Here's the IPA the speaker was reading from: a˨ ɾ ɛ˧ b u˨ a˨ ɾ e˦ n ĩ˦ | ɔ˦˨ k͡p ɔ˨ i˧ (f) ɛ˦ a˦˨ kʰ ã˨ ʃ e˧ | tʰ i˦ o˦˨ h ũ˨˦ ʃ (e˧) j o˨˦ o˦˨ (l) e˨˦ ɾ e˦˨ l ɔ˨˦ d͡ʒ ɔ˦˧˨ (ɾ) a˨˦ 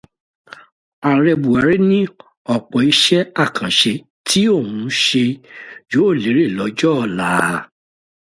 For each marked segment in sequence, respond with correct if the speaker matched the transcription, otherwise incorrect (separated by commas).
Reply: incorrect, correct, correct, incorrect